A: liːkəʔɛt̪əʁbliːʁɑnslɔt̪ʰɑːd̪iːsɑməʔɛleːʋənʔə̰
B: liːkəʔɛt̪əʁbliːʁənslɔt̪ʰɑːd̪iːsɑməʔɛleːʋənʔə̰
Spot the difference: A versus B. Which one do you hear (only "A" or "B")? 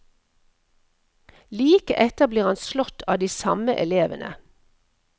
A